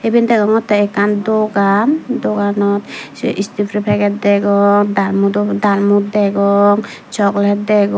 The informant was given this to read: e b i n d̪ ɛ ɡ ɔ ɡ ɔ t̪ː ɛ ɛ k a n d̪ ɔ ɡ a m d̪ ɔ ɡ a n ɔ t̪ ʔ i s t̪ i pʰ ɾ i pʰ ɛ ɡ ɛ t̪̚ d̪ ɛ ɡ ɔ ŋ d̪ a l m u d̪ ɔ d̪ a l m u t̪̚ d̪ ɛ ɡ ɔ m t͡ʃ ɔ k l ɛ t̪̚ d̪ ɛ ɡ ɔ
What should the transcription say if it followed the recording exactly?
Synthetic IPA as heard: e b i n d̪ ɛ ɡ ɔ ŋ ɔ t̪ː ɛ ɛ k a n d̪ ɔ ɡ a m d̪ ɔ ɡ a n ɔ t̪ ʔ i s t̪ i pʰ ɾ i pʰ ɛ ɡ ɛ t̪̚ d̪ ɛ ɡ ɔ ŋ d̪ a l m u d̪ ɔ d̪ a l m u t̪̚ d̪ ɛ ɡ ɔ ŋ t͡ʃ ɔ k l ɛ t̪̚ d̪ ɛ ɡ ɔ